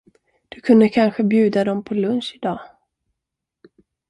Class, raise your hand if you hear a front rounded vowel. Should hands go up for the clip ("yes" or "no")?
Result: no